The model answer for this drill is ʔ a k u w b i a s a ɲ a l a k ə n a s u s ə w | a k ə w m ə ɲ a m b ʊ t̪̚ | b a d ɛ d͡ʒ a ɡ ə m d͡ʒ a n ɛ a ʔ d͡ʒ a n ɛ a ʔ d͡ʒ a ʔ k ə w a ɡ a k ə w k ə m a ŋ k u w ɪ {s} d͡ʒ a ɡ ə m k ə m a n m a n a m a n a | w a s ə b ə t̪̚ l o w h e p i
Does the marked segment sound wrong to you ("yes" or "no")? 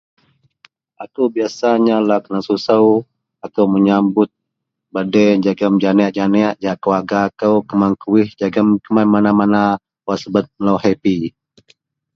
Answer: yes